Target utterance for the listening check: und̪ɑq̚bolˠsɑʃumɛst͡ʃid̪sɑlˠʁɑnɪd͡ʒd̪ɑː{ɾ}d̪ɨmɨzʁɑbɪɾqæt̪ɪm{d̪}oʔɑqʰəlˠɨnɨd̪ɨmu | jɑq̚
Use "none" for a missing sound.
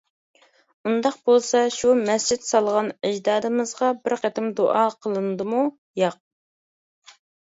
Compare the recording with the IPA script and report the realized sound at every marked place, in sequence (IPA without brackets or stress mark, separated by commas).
none, d̪